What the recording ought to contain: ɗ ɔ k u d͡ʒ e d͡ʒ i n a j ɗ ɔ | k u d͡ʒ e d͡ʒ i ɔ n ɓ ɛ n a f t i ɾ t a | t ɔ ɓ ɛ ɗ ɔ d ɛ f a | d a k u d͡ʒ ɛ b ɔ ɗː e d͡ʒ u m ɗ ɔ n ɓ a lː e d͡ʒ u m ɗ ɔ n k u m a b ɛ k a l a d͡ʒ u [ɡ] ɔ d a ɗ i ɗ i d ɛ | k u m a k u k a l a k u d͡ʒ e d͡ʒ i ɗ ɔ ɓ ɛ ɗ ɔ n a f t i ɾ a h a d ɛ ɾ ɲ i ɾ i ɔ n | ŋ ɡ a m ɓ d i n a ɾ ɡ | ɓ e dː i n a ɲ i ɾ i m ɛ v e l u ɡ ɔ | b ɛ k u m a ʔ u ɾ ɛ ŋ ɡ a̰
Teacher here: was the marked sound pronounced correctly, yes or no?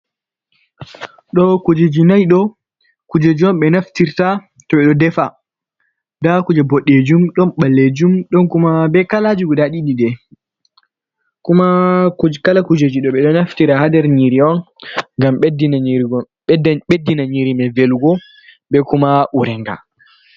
yes